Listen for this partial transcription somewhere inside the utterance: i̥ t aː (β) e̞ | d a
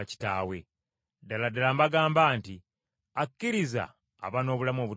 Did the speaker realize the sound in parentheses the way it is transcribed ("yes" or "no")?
no